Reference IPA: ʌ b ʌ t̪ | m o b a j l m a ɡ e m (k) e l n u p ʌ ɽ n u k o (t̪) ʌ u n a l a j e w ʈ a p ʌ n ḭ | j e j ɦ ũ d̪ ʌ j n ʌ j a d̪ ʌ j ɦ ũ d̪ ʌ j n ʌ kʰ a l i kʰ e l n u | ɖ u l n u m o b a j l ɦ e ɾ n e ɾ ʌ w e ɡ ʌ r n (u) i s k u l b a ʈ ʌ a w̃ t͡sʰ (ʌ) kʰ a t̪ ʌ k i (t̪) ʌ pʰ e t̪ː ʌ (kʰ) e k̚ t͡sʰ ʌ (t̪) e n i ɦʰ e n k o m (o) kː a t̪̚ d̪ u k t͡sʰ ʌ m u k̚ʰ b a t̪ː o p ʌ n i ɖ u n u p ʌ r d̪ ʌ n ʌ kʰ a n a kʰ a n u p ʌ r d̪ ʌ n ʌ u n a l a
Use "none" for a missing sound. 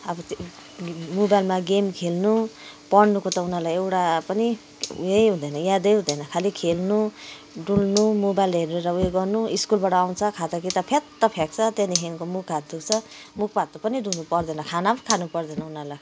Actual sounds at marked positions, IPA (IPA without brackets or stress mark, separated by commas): kʰ, t̪, u, ʌ, t̪, pʰ, t̪, u